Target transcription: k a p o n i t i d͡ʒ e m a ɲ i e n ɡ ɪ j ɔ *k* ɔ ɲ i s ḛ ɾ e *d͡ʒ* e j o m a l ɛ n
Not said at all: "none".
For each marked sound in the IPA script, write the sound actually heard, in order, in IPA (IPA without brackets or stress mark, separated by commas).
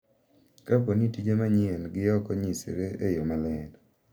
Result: k, none